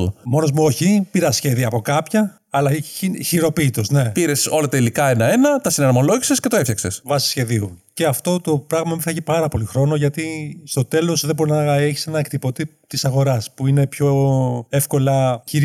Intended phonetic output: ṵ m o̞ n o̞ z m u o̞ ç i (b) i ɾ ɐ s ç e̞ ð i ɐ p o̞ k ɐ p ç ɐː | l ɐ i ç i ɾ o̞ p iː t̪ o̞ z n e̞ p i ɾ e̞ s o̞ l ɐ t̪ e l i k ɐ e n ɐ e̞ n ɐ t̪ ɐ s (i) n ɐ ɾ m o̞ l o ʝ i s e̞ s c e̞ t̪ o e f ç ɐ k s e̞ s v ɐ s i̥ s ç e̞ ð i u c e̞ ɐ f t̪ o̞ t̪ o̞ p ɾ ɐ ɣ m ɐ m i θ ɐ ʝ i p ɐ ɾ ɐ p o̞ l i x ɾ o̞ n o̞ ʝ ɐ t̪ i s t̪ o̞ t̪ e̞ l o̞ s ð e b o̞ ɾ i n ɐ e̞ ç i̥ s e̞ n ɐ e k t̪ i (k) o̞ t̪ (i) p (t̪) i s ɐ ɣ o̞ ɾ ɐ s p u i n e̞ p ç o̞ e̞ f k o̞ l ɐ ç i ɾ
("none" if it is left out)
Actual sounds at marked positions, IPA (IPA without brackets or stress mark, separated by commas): p, i, p, i, t̪